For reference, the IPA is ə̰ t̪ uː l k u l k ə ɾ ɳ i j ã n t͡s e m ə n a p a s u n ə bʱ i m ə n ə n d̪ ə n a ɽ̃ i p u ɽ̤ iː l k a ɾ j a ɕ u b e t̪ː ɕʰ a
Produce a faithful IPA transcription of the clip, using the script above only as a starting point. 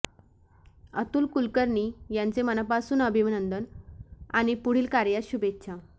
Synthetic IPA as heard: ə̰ t̪ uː l k u l k ə ɾ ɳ i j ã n t͡s e m ə n a p a s uː n ə bʱ i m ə n ə n d̪ ə n a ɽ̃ i p u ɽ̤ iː l k a ɾ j a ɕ u b e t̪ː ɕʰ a